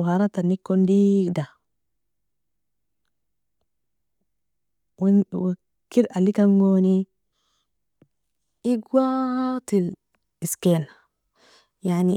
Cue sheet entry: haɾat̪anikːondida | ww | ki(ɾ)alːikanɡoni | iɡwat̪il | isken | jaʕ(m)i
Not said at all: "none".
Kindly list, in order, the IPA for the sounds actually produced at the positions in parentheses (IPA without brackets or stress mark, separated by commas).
ɾ, n